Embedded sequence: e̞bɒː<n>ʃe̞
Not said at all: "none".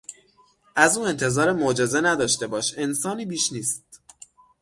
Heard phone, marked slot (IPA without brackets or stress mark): none